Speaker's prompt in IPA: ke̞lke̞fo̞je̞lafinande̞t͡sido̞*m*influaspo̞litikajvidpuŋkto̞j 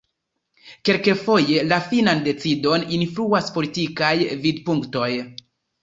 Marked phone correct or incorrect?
incorrect